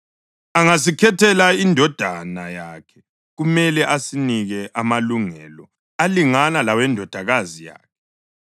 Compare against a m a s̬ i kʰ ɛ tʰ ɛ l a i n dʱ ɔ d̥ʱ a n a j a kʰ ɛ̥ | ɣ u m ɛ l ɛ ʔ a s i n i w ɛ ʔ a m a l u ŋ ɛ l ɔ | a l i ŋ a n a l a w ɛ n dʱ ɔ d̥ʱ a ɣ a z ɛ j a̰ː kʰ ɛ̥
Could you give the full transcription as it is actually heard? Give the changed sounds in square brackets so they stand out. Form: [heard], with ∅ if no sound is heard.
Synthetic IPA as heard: a [ŋ] a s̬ i kʰ ɛ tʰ ɛ l a i n dʱ ɔ d̥ʱ a n a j a kʰ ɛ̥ | ɣ u m ɛ l ɛ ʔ a s i n i [ɣ] ɛ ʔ a m a l u ŋ ɛ l ɔ | a l i ŋ a n a l a w ɛ n dʱ ɔ d̥ʱ a ɣ a z [i] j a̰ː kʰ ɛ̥